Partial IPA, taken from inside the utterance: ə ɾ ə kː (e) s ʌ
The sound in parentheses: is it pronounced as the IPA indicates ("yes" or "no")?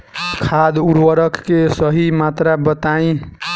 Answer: yes